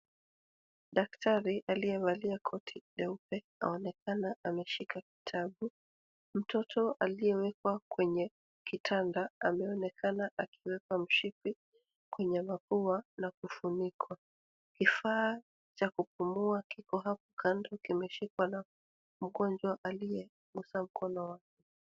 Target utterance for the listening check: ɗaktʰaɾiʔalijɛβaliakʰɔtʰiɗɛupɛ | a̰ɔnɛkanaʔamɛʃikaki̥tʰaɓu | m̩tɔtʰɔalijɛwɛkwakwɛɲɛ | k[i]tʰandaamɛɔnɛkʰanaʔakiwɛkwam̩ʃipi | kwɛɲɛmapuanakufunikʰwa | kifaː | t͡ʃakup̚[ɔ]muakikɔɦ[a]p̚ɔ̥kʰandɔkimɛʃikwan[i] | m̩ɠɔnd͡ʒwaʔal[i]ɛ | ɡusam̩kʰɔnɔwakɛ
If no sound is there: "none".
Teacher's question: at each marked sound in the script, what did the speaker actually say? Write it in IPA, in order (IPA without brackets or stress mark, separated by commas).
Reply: i, u, a, a, i